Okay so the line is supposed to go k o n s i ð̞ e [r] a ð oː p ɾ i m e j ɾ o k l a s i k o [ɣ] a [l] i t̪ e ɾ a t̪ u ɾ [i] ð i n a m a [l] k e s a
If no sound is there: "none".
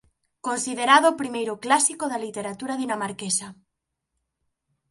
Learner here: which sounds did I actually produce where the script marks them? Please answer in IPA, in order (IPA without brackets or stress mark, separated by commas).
ɾ, ð, l, a, ɾ